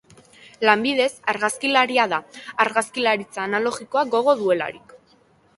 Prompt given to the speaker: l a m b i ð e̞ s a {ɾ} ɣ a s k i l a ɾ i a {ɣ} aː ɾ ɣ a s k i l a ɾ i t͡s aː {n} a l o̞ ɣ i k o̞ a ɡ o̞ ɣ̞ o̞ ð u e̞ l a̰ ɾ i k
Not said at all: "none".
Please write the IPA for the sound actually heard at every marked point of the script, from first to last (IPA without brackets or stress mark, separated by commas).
ɾ, ð, n